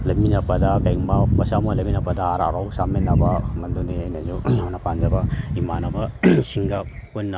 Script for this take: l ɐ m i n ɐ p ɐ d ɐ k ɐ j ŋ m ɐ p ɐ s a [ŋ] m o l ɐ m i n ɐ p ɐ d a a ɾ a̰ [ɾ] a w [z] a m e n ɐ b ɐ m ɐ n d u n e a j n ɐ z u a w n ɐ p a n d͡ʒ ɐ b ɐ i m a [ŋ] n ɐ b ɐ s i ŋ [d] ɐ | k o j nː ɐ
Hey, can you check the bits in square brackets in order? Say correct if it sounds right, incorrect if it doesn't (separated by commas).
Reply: incorrect, correct, incorrect, incorrect, incorrect